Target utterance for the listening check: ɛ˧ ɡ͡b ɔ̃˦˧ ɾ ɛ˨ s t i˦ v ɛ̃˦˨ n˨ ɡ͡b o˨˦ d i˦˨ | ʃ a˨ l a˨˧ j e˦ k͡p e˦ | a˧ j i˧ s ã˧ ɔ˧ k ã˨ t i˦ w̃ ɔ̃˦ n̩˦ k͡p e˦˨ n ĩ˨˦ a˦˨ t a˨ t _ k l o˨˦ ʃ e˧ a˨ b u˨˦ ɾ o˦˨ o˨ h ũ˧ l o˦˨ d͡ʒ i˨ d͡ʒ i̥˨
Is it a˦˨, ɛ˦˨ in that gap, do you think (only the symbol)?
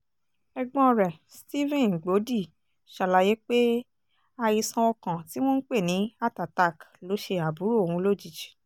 a˦˨